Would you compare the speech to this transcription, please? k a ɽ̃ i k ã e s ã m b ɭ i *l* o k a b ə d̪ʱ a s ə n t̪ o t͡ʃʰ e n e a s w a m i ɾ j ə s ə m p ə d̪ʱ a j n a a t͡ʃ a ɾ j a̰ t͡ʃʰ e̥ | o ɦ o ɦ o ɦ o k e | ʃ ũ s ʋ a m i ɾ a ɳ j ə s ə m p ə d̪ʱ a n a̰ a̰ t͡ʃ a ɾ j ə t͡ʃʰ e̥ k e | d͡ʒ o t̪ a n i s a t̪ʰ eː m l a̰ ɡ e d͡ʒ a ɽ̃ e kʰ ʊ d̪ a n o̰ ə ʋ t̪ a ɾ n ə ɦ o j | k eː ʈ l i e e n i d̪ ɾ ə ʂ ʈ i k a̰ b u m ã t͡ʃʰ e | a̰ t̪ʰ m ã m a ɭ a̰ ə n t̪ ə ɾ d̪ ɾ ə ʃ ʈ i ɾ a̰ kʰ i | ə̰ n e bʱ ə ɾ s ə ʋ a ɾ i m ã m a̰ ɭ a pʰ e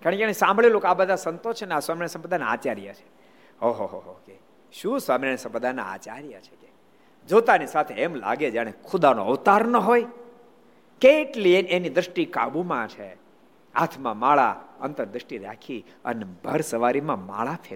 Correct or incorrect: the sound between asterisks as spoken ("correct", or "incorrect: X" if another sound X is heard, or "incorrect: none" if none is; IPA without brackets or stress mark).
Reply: correct